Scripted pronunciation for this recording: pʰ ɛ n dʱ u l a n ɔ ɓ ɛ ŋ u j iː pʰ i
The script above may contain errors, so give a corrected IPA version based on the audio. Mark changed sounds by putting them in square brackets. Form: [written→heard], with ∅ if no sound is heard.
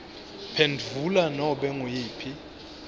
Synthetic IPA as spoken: pʰ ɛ n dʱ u l a n ɔ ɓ ɛ ŋ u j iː pʰ i